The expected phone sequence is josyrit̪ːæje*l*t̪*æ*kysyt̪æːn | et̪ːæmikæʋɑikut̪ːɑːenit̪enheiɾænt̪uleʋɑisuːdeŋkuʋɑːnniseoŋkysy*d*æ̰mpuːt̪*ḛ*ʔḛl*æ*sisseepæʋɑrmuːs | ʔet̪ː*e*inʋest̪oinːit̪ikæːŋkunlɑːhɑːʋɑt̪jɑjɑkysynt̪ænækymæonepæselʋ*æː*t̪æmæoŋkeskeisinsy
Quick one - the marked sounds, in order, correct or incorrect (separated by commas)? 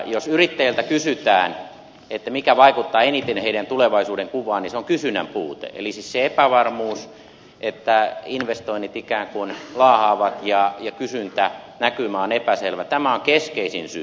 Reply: correct, correct, incorrect, correct, incorrect, incorrect, incorrect